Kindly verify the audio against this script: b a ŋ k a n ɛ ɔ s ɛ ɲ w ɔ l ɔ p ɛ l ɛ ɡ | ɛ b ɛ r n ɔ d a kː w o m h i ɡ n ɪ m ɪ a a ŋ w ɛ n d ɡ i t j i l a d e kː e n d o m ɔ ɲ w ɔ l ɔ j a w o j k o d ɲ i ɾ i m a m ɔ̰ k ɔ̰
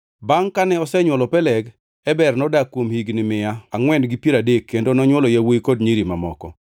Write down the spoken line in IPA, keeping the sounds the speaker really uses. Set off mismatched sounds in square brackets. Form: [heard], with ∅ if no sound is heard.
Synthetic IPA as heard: b a ŋ k a n ɛ ɔ s ɛ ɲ w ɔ l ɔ p ɛ l ɛ ɡ | ɛ b ɛ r n ɔ d a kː w o m h i ɡ n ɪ m ɪ a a ŋ w ɛ n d ɡ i [p] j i [ɾ] a d e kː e n d o [n] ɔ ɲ w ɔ l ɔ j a w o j k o d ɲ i ɾ i m a m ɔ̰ k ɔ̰